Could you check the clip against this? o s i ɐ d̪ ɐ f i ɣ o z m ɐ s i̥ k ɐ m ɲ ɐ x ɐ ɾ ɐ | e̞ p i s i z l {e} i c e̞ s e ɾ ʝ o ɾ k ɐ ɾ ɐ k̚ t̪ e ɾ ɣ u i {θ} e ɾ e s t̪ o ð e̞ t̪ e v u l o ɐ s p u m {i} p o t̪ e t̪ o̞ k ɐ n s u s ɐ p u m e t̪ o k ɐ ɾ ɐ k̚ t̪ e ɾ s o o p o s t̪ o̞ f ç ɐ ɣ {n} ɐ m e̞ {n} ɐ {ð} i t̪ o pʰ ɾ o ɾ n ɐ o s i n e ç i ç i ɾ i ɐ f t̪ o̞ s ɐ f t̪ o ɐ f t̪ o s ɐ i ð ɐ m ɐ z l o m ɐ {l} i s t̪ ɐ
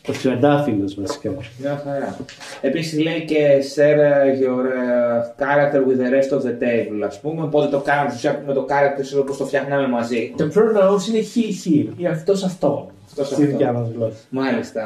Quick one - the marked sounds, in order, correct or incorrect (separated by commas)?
correct, incorrect, incorrect, correct, incorrect, incorrect, correct